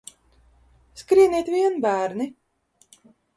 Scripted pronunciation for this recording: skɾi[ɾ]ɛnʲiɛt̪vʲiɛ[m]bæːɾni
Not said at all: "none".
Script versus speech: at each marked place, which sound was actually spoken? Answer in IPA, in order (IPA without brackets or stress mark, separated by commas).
none, n